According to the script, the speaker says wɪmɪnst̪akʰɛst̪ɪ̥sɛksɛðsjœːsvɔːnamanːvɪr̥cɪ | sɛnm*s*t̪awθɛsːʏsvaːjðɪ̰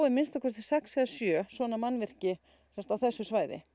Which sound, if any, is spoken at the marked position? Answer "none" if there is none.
s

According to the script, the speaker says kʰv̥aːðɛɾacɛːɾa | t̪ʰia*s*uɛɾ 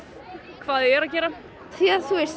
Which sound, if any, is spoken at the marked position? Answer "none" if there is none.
θ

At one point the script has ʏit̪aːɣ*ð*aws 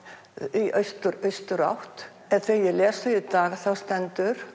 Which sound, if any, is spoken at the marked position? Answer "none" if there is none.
θ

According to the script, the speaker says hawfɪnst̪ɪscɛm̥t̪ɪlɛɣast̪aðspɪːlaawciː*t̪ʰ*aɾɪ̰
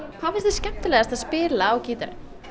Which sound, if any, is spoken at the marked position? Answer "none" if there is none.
t̪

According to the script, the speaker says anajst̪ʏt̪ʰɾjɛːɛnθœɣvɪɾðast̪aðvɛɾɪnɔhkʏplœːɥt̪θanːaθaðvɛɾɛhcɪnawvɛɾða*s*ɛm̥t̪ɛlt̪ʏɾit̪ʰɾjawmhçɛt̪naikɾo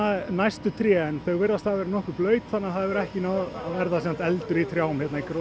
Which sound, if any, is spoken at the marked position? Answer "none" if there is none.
s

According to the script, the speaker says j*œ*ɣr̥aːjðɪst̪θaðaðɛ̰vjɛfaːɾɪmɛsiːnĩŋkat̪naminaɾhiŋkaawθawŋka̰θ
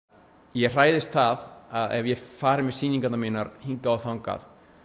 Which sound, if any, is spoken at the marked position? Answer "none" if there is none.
ɛ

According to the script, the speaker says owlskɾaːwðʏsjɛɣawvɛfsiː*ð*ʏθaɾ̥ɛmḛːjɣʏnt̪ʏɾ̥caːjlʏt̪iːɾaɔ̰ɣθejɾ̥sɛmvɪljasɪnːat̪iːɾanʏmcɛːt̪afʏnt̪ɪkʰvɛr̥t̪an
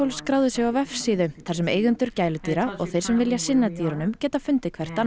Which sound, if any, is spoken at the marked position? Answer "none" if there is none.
ð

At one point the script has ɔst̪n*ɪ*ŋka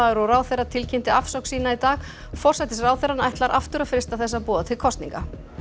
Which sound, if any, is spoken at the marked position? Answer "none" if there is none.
i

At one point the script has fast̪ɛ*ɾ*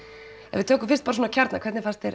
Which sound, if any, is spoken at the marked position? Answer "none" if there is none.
ɾ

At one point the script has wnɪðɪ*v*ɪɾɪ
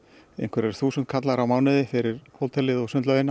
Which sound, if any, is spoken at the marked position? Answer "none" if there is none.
f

